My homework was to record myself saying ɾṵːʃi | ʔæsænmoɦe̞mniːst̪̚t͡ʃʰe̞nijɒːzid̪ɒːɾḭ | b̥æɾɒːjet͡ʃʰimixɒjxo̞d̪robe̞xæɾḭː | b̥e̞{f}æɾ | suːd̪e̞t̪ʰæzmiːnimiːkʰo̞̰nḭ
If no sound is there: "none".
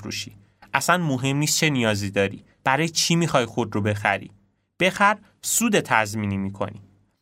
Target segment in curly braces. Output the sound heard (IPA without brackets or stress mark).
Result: x